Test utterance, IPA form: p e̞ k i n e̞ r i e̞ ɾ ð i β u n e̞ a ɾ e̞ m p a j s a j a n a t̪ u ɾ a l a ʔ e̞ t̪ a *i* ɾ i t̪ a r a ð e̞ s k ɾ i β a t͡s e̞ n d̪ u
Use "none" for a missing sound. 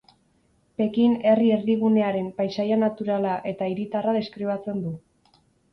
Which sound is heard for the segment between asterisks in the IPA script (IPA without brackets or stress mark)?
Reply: i